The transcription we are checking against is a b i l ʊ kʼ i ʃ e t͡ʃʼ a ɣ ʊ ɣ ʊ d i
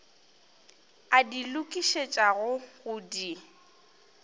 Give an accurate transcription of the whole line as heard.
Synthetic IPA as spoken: a d i l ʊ kʼ i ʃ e t͡ʃʼ a ɣ ʊ ɣ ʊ d i